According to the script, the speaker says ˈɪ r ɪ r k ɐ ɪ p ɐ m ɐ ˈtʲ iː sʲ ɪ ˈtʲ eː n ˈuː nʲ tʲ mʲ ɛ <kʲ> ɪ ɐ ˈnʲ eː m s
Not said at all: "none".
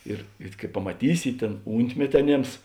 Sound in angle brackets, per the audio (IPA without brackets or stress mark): tʲ